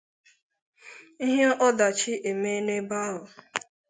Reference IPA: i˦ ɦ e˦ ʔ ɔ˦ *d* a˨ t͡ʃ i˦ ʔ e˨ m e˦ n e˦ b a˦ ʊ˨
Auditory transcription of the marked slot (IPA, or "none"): d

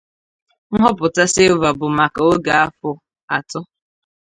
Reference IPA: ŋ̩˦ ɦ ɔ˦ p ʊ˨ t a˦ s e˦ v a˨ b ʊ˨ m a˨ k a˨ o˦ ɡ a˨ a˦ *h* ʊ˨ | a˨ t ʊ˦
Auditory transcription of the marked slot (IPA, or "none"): f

